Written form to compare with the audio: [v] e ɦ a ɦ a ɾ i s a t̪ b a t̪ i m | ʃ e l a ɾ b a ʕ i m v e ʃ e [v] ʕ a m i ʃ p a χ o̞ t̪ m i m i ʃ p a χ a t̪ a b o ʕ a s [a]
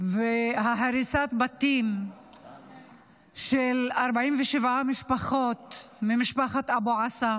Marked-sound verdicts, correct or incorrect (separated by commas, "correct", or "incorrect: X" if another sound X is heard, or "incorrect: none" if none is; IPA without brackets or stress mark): correct, correct, correct